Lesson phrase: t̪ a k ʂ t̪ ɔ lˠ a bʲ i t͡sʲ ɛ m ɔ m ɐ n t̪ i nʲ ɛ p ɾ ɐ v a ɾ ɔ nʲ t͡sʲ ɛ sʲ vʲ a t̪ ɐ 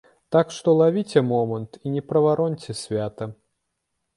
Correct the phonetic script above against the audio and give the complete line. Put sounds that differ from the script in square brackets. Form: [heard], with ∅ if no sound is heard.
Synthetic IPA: t̪ a k ʂ t̪ ɔ lˠ a [vʲ] i t͡sʲ ɛ m ɔ m ɐ n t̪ i nʲ ɛ p ɾ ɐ v a ɾ ɔ nʲ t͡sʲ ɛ sʲ vʲ a t̪ ɐ